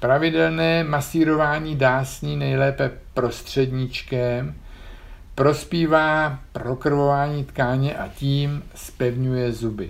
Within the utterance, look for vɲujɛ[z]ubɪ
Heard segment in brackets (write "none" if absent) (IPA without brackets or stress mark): z